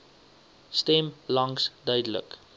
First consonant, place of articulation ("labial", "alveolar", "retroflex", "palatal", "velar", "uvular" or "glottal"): alveolar